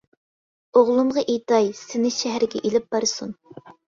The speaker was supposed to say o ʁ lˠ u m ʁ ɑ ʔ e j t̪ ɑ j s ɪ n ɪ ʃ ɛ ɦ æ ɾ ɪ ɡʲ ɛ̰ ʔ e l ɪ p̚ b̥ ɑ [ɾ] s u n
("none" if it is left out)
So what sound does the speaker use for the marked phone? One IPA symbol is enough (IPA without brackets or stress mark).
ɾ